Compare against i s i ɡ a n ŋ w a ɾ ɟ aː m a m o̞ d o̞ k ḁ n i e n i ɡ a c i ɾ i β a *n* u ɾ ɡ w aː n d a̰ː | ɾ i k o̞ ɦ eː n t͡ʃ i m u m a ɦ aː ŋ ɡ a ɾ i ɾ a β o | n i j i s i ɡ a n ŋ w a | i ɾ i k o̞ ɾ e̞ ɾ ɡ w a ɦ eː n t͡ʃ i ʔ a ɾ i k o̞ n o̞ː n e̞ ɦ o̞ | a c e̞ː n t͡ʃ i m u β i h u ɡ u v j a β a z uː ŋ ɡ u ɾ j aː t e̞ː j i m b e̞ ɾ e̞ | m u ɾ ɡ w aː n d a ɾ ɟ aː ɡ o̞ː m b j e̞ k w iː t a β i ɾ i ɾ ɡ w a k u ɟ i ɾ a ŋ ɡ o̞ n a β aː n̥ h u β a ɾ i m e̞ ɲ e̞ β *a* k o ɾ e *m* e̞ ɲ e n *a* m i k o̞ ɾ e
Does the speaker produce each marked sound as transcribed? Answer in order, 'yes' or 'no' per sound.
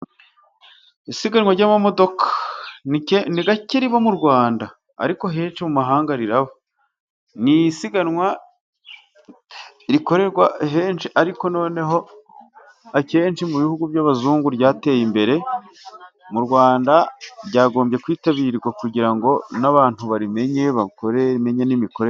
no, yes, yes, no

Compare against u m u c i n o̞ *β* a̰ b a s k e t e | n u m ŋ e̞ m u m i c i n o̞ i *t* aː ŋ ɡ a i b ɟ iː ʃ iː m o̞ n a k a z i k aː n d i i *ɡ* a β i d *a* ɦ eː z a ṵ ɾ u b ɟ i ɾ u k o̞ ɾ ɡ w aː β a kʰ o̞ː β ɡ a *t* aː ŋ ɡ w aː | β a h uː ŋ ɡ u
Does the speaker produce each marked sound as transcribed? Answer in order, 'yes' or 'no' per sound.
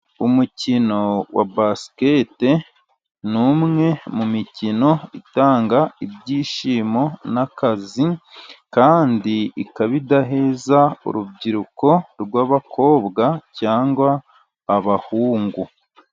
no, yes, no, yes, no

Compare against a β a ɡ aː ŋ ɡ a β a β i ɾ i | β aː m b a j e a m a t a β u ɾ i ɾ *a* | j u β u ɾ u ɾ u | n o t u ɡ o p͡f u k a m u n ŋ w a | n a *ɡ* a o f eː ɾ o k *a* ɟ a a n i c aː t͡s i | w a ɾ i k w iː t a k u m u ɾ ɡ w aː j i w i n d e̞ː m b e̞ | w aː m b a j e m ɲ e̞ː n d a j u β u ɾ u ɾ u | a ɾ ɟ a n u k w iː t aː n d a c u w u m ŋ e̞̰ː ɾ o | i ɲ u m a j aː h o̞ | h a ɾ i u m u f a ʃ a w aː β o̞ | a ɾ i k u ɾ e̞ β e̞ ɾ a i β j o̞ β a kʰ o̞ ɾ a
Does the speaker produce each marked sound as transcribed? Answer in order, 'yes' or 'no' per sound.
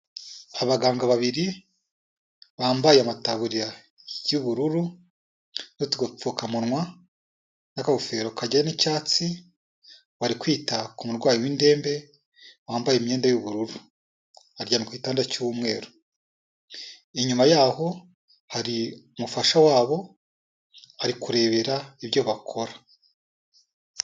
yes, no, yes

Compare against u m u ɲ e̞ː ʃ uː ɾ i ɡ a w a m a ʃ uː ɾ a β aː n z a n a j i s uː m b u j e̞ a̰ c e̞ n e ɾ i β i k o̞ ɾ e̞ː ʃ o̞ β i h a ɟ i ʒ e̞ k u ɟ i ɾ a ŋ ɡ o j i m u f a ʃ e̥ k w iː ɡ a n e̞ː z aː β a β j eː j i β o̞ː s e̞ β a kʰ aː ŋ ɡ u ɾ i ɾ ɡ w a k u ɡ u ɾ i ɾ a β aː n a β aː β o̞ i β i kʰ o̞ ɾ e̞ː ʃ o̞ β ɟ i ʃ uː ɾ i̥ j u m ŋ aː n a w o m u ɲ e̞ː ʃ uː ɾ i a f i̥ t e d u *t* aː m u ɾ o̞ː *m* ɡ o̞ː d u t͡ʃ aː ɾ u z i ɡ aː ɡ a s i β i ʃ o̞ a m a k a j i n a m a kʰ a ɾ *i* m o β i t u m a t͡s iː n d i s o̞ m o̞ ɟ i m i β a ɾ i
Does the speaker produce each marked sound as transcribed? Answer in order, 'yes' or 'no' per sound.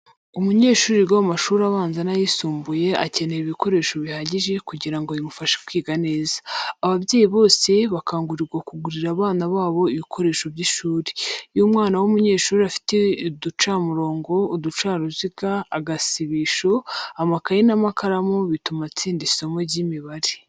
no, no, no

